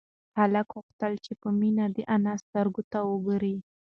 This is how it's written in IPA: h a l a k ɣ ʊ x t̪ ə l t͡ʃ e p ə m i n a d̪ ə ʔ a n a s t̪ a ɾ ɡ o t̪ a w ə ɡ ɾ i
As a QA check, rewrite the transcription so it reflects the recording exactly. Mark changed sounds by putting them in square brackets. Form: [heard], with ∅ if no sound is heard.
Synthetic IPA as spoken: h a l a k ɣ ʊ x t̪ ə l t͡ʃ e p ə m i n a d̪ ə ʔ a n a s t̪ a ɾ ɡ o t̪ a w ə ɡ ɾ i